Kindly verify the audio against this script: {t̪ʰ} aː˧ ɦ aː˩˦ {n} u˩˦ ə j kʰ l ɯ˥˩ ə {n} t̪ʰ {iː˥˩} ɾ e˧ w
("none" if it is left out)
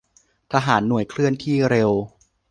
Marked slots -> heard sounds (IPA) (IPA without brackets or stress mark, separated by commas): t̪ʰ, nː, n, iː˥˩